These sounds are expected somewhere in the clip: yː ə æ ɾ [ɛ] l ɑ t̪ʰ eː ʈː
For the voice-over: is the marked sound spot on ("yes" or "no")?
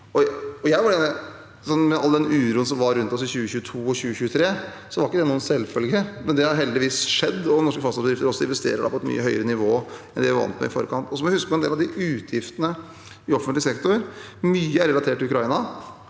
yes